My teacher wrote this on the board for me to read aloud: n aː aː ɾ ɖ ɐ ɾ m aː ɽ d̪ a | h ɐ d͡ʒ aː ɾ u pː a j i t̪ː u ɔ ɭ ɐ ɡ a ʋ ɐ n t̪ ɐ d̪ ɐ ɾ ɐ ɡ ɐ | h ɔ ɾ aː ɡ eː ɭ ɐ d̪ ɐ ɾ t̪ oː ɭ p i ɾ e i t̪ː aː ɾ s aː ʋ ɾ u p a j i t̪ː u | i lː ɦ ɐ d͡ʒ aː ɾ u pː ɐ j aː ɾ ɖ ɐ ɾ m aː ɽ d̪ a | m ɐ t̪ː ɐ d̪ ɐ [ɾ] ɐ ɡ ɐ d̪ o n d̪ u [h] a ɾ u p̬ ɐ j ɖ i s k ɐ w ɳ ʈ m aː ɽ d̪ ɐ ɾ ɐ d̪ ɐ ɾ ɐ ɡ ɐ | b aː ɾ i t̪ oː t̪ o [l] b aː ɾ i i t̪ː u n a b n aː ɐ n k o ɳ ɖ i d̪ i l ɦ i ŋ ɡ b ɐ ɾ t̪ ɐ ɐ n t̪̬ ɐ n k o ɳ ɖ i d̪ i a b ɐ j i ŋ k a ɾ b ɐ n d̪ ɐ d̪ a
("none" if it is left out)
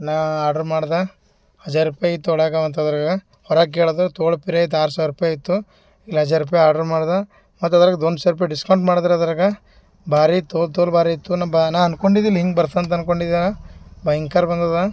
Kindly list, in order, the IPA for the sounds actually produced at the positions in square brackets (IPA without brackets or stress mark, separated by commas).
ɾ, s, l